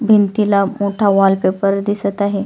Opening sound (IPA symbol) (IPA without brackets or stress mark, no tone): bʱ